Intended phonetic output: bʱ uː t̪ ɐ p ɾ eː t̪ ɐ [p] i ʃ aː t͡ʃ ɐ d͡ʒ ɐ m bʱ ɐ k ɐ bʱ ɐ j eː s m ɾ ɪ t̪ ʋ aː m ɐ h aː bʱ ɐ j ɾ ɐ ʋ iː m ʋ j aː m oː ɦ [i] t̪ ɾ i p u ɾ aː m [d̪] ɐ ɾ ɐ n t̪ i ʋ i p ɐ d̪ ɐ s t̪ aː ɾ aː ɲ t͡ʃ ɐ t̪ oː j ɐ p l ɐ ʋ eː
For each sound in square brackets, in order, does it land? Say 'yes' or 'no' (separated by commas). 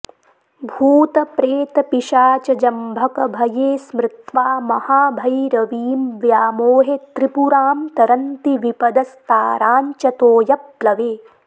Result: yes, no, no